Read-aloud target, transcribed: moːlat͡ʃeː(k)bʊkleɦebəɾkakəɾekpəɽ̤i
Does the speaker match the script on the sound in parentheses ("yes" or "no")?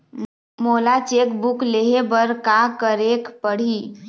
yes